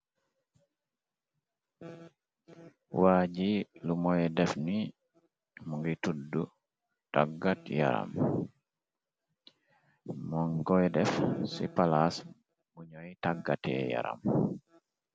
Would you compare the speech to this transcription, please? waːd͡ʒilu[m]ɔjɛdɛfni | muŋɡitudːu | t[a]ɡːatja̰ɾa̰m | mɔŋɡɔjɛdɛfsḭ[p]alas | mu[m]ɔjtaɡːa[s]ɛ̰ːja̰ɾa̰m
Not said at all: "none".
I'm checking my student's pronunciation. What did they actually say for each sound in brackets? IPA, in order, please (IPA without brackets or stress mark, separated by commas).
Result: m, a, p, ɲ, t